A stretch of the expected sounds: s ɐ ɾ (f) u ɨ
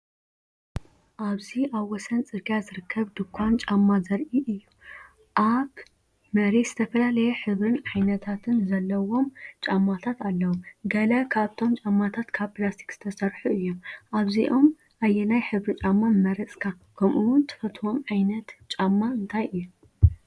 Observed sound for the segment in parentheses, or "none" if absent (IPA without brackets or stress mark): ħ